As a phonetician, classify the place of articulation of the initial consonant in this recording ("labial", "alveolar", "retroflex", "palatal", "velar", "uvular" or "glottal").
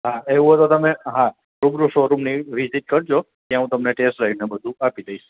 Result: glottal